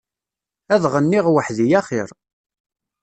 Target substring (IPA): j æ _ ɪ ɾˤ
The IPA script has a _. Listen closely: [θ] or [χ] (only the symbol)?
χ